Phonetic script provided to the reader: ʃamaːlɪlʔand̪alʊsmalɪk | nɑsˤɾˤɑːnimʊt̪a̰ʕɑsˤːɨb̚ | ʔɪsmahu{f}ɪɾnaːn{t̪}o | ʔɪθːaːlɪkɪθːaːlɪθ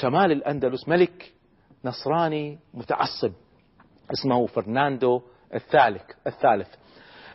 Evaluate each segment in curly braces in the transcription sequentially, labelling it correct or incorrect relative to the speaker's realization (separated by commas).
correct, incorrect